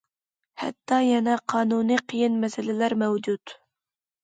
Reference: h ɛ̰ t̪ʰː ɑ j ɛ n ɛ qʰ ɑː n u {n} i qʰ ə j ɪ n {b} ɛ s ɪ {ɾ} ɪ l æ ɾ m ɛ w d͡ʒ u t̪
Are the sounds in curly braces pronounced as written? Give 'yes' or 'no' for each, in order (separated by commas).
yes, no, no